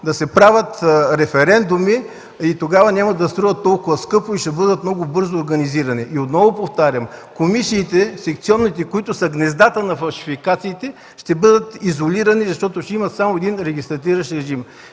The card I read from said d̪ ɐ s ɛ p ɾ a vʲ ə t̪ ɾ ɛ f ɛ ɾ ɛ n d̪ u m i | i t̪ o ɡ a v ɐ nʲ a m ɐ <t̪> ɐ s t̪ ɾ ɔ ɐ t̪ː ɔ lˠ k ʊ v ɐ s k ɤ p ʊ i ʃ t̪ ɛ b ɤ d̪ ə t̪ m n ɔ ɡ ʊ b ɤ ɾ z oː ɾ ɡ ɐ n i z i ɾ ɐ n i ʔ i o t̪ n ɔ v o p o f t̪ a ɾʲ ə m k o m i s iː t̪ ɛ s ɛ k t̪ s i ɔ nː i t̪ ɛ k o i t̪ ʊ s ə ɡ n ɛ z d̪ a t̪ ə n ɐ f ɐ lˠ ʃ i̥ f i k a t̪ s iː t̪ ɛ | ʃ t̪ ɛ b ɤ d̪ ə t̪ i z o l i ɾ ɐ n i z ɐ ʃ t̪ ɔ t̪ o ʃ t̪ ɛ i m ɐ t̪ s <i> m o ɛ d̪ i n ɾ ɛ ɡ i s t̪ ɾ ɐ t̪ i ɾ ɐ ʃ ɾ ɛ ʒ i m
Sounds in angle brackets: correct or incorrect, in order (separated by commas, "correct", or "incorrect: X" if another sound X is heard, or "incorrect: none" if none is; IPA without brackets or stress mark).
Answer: incorrect: d̪, incorrect: a